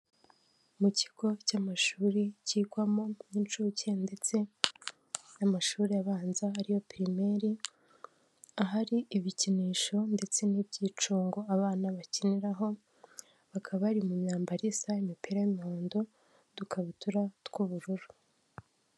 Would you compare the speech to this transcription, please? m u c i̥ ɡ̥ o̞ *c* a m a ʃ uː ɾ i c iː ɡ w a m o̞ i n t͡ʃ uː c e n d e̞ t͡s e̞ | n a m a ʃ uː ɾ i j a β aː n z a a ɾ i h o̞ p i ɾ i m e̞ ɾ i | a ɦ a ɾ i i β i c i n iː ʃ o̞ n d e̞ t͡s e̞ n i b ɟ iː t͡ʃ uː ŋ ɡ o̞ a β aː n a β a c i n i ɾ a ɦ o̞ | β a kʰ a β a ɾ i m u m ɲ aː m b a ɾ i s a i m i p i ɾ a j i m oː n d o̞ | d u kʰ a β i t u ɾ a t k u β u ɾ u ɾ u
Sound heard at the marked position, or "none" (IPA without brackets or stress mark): c